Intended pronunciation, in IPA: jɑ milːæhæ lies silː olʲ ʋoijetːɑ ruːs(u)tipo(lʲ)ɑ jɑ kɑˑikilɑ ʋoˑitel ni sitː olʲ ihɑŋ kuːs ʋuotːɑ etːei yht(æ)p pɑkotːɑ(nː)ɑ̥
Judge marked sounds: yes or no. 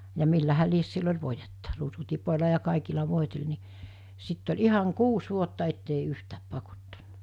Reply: yes, yes, no, yes

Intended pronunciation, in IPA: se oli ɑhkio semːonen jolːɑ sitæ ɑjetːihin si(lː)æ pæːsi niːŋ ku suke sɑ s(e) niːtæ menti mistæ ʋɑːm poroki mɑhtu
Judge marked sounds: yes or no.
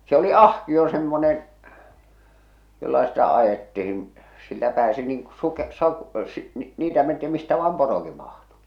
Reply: yes, no

